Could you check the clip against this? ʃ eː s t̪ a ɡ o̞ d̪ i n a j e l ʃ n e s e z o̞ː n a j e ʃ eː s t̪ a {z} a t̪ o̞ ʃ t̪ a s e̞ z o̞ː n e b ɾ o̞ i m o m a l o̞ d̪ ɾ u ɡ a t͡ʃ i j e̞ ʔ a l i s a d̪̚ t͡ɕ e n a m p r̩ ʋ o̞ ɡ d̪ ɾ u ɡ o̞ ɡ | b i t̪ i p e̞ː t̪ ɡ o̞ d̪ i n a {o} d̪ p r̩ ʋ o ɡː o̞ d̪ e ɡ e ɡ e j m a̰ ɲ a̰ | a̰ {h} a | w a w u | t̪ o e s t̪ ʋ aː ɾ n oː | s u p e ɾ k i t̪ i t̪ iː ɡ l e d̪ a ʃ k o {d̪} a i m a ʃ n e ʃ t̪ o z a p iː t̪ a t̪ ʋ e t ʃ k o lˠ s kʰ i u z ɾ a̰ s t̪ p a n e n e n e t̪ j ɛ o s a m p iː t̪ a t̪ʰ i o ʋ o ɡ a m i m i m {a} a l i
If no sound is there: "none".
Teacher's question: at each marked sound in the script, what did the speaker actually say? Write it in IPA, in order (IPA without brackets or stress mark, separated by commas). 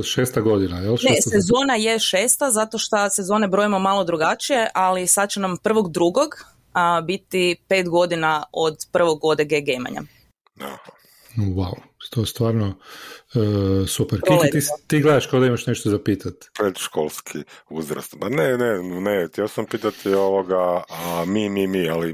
z, o, h, d̪, i